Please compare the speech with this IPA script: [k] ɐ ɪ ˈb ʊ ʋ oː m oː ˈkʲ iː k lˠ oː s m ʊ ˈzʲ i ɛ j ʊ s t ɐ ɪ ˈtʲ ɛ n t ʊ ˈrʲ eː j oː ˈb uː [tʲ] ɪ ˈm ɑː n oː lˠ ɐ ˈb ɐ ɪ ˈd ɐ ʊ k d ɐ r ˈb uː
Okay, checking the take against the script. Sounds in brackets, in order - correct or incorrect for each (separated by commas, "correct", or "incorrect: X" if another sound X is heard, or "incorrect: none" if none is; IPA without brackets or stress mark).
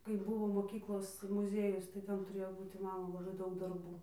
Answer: correct, correct